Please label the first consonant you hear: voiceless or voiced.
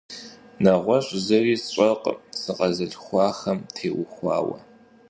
voiced